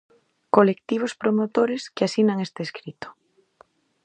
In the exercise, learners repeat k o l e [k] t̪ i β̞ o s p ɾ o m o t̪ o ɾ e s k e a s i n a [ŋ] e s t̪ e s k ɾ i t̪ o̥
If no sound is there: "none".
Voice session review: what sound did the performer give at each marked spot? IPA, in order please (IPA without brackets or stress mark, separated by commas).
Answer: k, ŋ